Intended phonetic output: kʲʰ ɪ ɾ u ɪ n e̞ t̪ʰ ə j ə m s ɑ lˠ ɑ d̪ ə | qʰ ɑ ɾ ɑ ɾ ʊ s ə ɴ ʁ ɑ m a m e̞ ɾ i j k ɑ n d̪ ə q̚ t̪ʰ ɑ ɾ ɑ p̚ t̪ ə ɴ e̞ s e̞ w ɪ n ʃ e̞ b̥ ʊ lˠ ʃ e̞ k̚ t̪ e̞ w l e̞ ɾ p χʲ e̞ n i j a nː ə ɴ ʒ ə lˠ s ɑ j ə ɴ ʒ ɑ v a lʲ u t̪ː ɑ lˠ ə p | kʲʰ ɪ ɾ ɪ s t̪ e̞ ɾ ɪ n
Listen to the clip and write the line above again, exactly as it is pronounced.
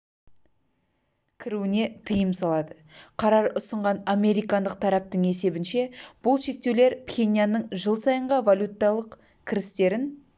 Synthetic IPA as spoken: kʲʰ ɪ ɾ u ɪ n e̞ t̪ʰ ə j ə m s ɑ lˠ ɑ d̪ ə | qʰ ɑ ɾ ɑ ɾ ʊ s ə ɴ ʁ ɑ n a m e̞ ɾ i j k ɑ n d̪ ə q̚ t̪ʰ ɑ ɾ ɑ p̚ t̪ ə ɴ e̞ s e̞ b ɪ n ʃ e̞ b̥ ʊ lˠ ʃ e̞ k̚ t̪ e̞ w l e̞ ɾ p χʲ e̞ n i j a nː ə ɴ ʒ ə lˠ s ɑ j ə ɴ ʁ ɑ v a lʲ u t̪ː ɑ lˠ ə q | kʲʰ ɪ ɾ ɪ s t̪ e̞ ɾ ɪ n